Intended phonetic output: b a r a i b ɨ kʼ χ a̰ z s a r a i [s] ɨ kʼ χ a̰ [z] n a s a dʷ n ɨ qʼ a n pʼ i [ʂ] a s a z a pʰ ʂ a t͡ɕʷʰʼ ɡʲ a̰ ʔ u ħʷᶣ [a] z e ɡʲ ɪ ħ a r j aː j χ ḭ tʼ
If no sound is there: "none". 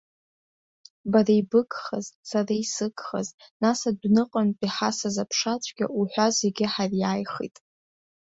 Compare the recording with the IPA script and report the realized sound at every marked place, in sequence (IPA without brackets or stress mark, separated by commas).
s, z, ħ, a